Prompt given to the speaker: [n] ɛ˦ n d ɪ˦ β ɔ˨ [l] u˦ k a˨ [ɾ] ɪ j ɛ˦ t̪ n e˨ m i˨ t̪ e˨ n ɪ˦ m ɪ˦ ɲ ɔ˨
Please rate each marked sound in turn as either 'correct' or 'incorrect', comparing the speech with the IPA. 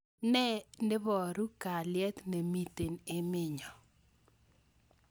correct, incorrect: ɾ, incorrect: l

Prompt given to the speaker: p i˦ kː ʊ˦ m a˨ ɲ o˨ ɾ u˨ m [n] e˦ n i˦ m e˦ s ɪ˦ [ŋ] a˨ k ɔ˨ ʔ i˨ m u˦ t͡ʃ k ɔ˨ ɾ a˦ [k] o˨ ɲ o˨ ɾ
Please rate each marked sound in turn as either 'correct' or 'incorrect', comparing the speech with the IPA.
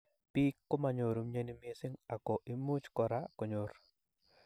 incorrect: ɲ, correct, correct

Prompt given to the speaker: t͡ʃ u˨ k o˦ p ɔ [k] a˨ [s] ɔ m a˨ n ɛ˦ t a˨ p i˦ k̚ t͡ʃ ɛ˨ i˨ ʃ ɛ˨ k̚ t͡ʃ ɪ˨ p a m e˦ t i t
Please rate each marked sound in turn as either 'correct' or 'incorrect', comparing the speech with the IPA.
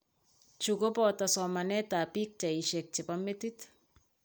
incorrect: t, correct

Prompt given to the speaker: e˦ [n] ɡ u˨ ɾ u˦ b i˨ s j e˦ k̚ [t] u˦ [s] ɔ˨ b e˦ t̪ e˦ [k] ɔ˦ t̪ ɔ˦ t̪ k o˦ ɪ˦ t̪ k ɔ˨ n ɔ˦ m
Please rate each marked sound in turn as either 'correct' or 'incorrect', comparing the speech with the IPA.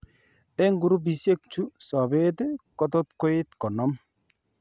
incorrect: ŋ, incorrect: t͡ʃ, correct, correct

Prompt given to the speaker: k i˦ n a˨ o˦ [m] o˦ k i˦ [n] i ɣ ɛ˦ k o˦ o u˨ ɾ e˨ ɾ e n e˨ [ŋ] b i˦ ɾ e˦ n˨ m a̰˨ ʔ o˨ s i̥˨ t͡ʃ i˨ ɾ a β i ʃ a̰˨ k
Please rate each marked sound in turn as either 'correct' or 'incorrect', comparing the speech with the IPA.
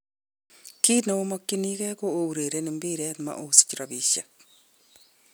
correct, correct, incorrect: m

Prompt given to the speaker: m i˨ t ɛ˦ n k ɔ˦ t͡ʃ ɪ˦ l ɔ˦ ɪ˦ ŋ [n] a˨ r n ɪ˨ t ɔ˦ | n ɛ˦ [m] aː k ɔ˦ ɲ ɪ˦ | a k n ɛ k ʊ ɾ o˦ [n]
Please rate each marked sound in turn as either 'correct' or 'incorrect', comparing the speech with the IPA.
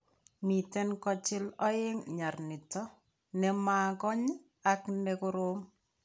incorrect: ɲ, correct, incorrect: ŋ

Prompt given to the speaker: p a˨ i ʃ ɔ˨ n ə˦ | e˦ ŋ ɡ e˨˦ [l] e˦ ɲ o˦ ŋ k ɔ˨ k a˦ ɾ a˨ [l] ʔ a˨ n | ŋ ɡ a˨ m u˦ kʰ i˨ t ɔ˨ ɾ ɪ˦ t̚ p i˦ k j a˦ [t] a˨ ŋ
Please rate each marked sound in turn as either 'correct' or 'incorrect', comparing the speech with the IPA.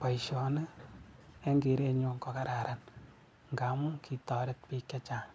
incorrect: ɾ, incorrect: ɾ, incorrect: t͡ʃ

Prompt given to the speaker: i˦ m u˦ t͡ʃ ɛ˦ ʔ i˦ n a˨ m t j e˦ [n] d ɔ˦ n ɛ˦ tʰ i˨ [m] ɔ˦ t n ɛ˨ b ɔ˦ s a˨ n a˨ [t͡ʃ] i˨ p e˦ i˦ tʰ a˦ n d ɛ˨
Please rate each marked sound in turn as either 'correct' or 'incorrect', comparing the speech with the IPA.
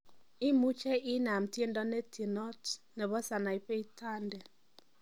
correct, incorrect: n, incorrect: none

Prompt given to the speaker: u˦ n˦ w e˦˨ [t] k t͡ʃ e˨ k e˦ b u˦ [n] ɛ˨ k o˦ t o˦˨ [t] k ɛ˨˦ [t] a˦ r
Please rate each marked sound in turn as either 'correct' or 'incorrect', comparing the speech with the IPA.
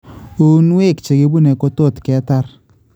incorrect: none, correct, correct, correct

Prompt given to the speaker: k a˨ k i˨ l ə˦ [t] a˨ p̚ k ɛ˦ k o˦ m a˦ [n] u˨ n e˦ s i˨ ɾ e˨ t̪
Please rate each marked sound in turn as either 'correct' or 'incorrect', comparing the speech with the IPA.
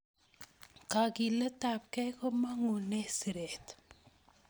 correct, incorrect: ŋ

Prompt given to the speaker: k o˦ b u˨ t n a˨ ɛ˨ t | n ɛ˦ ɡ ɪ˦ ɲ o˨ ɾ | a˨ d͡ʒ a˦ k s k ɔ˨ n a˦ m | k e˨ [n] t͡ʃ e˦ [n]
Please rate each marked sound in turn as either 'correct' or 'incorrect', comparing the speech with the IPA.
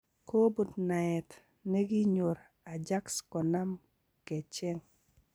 incorrect: none, incorrect: ŋ

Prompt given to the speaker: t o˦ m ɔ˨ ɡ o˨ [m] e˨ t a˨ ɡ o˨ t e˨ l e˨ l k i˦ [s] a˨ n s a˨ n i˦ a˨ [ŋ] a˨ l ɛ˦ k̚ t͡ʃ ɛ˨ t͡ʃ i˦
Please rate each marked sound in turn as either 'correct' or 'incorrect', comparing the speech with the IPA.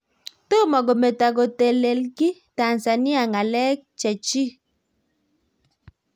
correct, incorrect: t, correct

